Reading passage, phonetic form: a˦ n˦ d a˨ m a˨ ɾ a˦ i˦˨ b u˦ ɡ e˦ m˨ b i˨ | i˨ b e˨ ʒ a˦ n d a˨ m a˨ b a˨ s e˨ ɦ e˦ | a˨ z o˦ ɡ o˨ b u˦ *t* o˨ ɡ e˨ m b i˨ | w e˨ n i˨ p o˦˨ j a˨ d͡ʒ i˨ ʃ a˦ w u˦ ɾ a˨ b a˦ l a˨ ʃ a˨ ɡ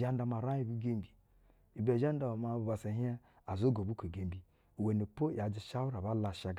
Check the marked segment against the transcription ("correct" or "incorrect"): incorrect